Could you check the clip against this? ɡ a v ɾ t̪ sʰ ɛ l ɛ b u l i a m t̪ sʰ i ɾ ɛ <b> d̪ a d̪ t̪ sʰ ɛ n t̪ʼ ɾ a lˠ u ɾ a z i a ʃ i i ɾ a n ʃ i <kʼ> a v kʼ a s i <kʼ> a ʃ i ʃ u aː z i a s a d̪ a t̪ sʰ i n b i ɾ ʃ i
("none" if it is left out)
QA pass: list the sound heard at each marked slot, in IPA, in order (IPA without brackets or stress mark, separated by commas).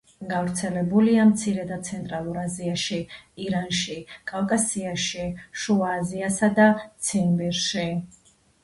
none, kʼ, none